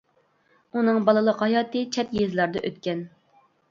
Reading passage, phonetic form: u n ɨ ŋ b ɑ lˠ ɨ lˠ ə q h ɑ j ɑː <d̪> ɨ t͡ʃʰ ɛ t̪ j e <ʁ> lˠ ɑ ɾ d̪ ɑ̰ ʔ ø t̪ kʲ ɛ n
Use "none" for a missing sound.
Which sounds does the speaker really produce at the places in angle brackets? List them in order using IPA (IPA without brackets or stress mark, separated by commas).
t̪, z